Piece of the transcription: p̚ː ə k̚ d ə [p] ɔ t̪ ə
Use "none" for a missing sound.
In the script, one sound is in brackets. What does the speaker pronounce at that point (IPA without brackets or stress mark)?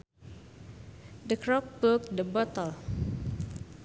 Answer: b